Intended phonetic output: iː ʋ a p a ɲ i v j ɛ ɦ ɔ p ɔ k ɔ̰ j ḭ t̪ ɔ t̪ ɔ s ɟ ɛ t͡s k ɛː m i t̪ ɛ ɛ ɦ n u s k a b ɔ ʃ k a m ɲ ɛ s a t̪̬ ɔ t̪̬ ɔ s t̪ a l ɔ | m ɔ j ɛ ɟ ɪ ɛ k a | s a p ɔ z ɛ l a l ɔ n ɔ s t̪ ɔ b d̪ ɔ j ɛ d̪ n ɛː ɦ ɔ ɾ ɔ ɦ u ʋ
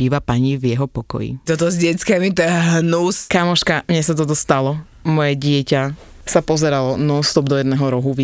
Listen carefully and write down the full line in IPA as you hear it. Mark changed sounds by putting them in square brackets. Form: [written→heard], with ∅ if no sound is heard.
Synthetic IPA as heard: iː ʋ a p a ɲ i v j ɛ ɦ ɔ p ɔ k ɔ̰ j ḭ t̪ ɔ t̪ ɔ [s→z] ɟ ɛ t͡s k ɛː m i t̪ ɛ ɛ ɦ n u s k a [b→m] ɔ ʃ k a m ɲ ɛ s a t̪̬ ɔ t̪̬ ɔ s t̪ a l ɔ | m ɔ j ɛ ɟ ɪ ɛ [k→c] a | s a p ɔ z ɛ [l→ɾ] a l ɔ n ɔ s t̪ ɔ b d̪ ɔ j ɛ d̪ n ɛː ɦ ɔ ɾ ɔ ɦ u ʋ